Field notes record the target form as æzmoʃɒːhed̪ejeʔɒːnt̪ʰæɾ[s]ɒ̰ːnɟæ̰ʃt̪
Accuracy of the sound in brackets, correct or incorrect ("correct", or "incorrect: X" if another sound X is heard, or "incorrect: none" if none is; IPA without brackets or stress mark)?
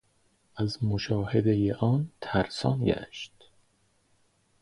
correct